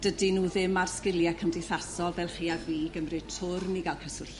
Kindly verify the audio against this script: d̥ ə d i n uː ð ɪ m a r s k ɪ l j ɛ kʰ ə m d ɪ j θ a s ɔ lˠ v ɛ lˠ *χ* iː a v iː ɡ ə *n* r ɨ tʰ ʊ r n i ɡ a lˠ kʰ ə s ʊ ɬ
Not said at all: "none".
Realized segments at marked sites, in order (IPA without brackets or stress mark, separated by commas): χ, m